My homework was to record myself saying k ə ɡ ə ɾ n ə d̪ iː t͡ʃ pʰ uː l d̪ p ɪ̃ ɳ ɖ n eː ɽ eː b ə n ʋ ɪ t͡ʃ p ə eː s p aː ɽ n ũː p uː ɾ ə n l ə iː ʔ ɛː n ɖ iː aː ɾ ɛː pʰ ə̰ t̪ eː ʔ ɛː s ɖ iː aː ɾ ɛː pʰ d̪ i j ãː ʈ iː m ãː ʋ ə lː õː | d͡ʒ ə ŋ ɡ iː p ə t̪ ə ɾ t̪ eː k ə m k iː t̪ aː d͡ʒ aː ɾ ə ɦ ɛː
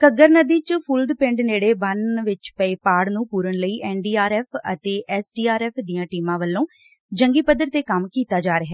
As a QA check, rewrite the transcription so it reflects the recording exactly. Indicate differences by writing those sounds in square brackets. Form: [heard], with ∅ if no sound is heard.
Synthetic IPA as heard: k ə ɡ ə ɾ n ə d̪ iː t͡ʃ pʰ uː l d̪ p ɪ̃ ɳ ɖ n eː ɽ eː b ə n ʋ ɪ t͡ʃ p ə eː [∅] p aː ɽ n ũː p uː ɾ ə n l ə iː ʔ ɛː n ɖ iː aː ɾ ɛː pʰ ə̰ t̪ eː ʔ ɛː s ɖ iː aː ɾ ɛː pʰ d̪ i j ãː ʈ iː m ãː ʋ ə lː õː | d͡ʒ ə ŋ ɡ iː p ə [d̪] ə ɾ t̪ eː k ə m k iː t̪ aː d͡ʒ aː ɾ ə ɦ ɛː